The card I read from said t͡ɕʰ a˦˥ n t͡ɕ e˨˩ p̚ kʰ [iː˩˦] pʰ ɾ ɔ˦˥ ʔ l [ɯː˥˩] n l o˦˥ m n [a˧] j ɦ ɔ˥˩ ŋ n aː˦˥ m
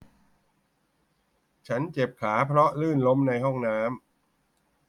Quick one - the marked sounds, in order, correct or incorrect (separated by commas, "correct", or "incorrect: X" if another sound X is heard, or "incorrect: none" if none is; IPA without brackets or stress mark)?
incorrect: aː˩˦, correct, correct